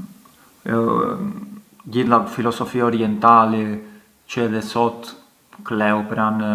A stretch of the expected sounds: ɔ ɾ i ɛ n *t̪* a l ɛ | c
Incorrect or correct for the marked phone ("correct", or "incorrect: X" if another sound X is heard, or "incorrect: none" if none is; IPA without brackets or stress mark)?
correct